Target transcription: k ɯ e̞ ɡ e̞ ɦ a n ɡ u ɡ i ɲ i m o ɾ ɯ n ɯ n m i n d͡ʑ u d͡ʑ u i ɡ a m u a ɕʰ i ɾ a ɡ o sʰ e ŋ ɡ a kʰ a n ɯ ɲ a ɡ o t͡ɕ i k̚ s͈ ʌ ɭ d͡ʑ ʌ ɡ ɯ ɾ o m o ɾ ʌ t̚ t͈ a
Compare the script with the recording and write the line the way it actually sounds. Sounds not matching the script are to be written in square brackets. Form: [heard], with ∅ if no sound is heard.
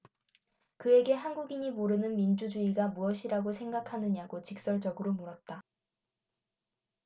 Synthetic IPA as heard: k ɯ e̞ ɡ e̞ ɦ a n ɡ u ɡ i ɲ i m o ɾ ɯ n ɯ n m i n d͡ʑ u d͡ʑ u i ɡ a m u [ʌ] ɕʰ i ɾ a ɡ o sʰ e ŋ ɡ a kʰ a n ɯ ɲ a ɡ o t͡ɕ i k̚ s͈ ʌ ɭ d͡ʑ ʌ ɡ ɯ ɾ o m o ɾ ʌ t̚ t͈ a